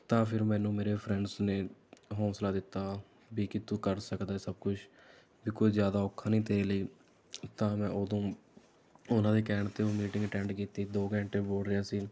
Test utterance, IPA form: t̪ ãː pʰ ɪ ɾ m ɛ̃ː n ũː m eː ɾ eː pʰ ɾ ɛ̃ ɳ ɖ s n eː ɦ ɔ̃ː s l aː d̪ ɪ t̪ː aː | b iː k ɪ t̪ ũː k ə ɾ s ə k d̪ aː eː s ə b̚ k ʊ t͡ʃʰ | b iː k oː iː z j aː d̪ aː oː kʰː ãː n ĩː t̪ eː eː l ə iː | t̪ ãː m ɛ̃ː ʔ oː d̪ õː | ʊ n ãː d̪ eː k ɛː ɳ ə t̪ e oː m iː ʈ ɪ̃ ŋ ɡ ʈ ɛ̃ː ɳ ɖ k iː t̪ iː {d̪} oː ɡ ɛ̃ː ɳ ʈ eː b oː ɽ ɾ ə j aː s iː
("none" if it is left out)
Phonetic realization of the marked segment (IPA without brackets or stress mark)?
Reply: d̪